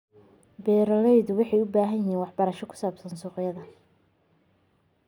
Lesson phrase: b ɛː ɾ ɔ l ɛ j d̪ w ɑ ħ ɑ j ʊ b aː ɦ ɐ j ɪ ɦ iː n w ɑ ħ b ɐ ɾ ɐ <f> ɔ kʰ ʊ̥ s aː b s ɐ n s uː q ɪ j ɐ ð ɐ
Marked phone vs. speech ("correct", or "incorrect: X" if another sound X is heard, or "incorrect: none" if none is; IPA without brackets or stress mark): incorrect: ʃ